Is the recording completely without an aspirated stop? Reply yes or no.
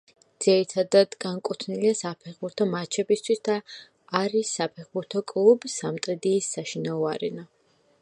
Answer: no